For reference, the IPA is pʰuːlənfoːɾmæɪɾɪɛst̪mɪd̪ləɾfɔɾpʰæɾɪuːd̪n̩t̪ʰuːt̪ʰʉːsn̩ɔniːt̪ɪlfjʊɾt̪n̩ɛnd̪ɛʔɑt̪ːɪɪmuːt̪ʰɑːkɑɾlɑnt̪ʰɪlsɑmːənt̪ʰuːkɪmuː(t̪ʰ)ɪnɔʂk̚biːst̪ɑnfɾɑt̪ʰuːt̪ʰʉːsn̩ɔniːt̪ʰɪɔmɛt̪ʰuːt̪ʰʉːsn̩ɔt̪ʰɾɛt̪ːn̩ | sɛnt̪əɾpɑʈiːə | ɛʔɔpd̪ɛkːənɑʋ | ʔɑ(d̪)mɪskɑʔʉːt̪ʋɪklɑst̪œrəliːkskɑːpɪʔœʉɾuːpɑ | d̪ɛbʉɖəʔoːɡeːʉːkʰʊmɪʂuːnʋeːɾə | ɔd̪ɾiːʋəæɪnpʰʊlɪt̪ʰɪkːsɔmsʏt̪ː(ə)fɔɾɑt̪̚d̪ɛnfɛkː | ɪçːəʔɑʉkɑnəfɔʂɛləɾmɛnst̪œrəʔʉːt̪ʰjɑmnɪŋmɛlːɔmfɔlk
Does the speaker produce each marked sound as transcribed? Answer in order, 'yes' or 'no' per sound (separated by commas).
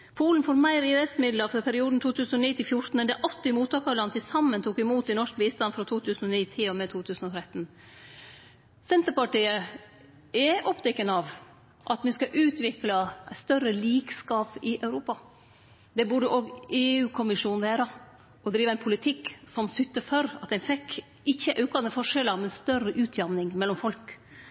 no, no, yes